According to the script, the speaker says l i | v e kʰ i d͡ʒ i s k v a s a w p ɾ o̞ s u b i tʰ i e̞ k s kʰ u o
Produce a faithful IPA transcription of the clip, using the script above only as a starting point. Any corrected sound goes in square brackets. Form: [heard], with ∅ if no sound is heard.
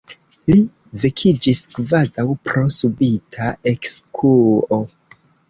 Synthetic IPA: l i | v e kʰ i d͡ʒ i s k v a [z] a w p ɾ o̞ s u b i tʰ [a] e̞ k s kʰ u o